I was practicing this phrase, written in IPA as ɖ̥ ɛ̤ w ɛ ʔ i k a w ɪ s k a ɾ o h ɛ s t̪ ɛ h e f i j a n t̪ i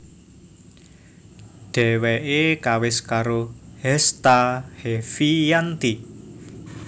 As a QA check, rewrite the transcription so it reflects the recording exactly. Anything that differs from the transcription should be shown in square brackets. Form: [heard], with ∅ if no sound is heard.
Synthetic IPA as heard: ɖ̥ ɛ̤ w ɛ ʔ [e] k a w ɪ s k a ɾ o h ɛ s t̪ [a] h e f i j a n t̪ i